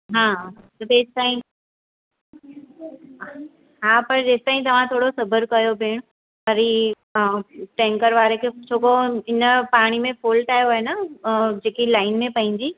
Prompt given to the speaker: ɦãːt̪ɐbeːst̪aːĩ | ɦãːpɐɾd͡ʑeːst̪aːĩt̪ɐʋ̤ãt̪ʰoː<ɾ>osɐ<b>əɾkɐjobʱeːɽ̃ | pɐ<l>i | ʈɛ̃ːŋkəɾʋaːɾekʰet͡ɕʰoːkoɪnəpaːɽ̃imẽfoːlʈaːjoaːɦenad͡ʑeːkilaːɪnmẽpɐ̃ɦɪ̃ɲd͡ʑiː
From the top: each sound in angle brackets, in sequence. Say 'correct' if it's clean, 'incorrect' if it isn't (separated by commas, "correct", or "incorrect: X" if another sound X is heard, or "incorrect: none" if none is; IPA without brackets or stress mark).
incorrect: ɽ, correct, incorrect: ɾ